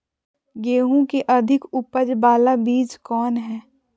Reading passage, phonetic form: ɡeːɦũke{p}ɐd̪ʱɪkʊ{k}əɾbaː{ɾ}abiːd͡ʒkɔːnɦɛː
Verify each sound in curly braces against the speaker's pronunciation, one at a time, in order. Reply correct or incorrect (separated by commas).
incorrect, incorrect, incorrect